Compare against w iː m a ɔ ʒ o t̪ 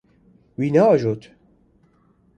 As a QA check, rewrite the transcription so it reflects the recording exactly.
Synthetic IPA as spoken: w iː n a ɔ ʒ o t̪